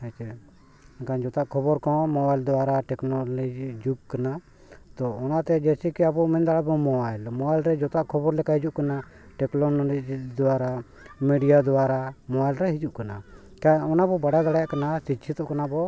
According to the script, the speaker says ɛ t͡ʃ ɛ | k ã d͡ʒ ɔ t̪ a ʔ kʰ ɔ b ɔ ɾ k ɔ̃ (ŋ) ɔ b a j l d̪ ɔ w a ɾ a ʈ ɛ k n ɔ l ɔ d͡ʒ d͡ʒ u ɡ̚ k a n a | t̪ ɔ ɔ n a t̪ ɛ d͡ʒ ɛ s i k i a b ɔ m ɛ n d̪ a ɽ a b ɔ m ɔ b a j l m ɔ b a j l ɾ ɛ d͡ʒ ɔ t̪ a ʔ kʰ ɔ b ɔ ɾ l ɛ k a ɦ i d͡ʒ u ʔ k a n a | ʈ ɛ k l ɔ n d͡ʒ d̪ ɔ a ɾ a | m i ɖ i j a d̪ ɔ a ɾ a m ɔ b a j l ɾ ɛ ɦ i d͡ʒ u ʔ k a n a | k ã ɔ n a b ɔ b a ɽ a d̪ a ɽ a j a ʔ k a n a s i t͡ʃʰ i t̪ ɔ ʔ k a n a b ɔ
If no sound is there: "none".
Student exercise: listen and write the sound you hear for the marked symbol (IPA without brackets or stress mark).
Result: m